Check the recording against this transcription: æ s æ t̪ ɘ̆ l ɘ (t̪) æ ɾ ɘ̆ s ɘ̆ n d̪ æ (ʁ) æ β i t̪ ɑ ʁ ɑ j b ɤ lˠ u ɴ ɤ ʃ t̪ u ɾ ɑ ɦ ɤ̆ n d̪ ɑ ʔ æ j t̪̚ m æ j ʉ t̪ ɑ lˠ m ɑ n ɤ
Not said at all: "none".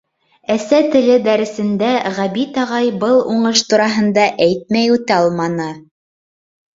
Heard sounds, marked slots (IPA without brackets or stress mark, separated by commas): d̪, ʁ